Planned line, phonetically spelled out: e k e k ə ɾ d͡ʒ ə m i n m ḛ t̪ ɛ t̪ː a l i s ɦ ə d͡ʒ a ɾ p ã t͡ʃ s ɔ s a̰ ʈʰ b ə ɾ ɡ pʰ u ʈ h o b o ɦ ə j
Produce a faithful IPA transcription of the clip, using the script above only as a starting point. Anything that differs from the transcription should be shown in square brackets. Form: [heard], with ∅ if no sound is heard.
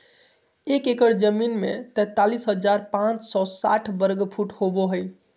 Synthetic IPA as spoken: e k e k ə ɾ d͡ʒ ə m i n m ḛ t̪ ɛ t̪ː a l i s ɦ ə d͡ʒ a ɾ p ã t͡ʃ s ɔ s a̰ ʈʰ b ə ɾ ɡ pʰ u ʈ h o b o ɦ ə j